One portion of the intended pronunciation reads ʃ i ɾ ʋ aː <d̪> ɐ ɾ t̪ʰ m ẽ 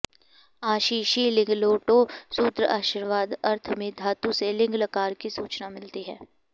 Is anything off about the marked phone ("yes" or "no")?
no